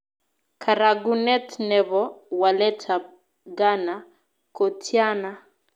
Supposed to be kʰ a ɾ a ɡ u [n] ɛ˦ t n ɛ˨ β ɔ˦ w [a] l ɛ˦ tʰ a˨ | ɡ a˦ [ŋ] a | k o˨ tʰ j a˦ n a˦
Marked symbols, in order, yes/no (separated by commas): yes, yes, no